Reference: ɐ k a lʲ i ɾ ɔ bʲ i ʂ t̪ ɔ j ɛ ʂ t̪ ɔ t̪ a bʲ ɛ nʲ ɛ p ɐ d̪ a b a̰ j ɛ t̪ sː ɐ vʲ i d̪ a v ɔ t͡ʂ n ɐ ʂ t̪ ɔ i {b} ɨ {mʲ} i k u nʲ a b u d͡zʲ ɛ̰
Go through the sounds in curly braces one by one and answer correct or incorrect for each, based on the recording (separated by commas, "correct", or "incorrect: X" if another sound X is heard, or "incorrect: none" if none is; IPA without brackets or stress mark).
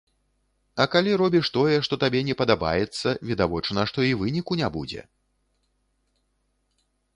incorrect: v, incorrect: nʲ